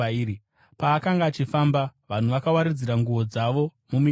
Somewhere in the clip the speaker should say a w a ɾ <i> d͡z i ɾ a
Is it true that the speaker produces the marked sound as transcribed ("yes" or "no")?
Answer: yes